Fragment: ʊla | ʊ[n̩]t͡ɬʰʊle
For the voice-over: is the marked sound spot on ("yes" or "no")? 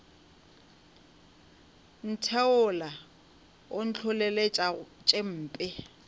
yes